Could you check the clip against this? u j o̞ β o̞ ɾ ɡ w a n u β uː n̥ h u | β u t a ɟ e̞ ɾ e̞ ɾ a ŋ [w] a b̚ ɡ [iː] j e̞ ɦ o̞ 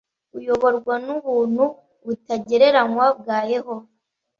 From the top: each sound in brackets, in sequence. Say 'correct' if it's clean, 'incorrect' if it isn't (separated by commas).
correct, incorrect